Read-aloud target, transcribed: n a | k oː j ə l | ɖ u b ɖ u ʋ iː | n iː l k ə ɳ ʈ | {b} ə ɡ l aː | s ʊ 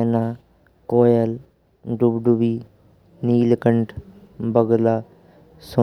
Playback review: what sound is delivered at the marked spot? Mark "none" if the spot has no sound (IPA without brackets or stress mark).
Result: b